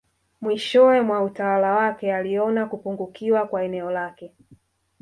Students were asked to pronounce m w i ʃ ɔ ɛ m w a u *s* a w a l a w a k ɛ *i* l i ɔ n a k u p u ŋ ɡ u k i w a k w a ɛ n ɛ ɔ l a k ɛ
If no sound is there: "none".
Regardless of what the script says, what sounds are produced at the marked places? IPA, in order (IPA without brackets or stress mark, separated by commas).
t, a